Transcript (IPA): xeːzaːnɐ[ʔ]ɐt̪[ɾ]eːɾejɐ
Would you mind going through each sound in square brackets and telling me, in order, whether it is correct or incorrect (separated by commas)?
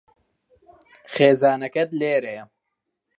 incorrect, incorrect